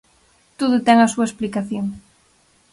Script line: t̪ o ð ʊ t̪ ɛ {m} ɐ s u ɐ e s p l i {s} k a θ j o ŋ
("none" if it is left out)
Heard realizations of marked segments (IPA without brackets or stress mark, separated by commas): ŋ, none